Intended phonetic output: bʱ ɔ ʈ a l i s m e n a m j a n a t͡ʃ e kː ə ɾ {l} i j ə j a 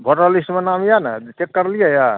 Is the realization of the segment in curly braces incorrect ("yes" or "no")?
no